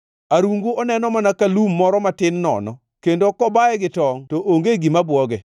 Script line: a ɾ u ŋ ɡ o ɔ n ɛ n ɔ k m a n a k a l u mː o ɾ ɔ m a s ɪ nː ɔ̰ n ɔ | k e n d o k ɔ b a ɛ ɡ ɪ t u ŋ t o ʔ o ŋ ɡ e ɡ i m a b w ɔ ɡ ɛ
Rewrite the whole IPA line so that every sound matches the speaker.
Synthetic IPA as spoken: a ɾ u ŋ ɡ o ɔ n ɛ n ɔ m a n a k a l u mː ɔ ɾ ɔ m a t ɪ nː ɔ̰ n ɔ | k e n d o k ɔ b a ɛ ɡ ɪ t ɔ ŋ t o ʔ o ŋ ɡ e ɡ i m a b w ɔ ɡ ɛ